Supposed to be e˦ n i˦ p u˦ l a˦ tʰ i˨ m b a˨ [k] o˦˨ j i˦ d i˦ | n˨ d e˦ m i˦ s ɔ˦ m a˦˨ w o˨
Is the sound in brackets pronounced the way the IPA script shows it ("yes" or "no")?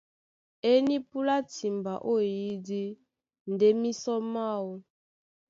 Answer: no